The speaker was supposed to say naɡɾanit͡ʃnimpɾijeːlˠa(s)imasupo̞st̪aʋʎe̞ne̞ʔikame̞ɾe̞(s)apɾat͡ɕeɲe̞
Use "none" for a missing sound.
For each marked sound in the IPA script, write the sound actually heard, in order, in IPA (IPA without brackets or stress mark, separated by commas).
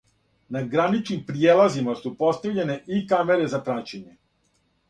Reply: z, z